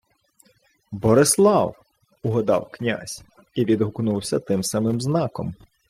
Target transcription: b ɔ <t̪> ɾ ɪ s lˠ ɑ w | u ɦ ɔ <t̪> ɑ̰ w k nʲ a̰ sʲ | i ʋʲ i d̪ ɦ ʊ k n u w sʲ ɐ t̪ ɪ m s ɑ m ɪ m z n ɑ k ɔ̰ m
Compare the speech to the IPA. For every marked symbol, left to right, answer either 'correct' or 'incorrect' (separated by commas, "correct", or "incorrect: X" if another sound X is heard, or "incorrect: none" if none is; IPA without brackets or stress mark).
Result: incorrect: none, incorrect: d̪